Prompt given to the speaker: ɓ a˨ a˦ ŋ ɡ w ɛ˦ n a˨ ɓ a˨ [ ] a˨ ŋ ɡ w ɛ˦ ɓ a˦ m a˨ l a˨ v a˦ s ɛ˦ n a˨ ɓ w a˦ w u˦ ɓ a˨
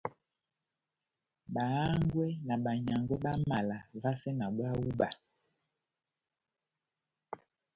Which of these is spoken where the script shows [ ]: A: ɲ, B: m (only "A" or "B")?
A